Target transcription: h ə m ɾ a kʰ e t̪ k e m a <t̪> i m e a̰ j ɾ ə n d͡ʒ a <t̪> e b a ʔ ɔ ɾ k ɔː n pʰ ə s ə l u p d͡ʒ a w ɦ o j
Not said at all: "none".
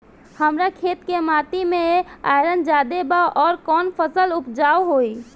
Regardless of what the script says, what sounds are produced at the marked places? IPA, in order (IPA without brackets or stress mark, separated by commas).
t̪, d̪